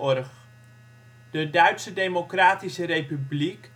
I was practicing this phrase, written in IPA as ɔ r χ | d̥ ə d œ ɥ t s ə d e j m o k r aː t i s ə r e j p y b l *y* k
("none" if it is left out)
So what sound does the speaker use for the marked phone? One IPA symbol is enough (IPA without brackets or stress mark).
i